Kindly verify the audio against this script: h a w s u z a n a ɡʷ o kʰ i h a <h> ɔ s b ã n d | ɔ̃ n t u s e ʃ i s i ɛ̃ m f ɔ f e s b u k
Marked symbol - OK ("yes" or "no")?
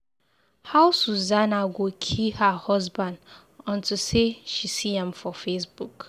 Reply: yes